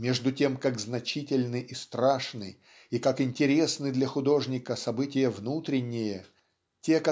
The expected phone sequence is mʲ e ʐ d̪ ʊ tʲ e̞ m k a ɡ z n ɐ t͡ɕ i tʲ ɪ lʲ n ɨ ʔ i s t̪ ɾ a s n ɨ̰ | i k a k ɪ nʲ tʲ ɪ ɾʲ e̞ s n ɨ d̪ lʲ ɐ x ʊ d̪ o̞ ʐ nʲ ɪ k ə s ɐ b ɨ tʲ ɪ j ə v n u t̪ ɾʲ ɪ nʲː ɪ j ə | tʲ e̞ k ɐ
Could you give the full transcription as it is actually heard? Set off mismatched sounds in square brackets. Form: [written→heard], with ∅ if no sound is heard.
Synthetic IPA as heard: mʲ e ʐ d̪ ʊ tʲ e̞ m k a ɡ z n ɐ t͡ɕ i tʲ ɪ lʲ n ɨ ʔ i s t̪ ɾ a [s→ʂ] n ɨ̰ | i k a k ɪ nʲ tʲ ɪ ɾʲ e̞ s n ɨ d̪ lʲ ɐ x ʊ d̪ o̞ ʐ nʲ ɪ k ə s ɐ b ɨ tʲ ɪ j ə v n u t̪ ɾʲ ɪ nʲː ɪ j ə | tʲ e̞ k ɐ